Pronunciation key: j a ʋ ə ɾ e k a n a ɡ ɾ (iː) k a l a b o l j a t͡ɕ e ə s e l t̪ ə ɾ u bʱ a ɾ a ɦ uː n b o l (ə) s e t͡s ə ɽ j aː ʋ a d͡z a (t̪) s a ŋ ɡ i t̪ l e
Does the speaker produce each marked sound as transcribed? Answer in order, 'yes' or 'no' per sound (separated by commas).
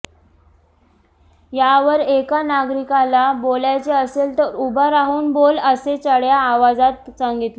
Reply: no, yes, yes